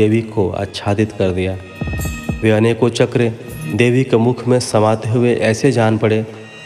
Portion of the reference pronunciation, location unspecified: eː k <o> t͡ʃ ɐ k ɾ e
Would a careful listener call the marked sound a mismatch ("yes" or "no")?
no